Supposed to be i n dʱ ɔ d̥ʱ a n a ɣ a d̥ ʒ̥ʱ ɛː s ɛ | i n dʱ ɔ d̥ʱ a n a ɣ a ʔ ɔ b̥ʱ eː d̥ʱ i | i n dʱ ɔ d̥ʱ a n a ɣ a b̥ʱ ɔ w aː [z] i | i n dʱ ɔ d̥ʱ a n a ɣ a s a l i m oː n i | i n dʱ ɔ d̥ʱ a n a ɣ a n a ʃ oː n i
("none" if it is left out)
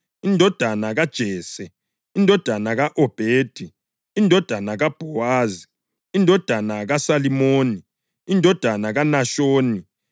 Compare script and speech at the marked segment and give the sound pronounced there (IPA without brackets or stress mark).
z